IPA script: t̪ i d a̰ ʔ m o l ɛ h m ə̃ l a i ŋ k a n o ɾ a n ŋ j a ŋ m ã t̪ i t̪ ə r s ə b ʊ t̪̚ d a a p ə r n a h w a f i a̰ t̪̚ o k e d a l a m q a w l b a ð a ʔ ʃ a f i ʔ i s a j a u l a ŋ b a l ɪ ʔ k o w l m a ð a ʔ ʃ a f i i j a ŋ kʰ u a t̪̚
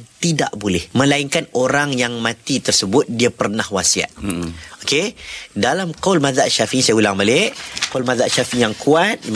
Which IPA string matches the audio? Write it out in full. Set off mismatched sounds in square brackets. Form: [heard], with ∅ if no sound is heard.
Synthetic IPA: t̪ i d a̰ ʔ [b] o l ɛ h m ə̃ l a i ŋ k a n o ɾ a [∅] ŋ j a ŋ m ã t̪ i t̪ ə r s ə b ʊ t̪̚ d [i] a p ə r n a h w a [s] i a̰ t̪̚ o k e d a l a m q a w l [m] a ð a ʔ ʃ a f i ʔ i s a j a u l a ŋ b a l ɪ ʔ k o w l m a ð a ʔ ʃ a f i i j a ŋ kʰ u a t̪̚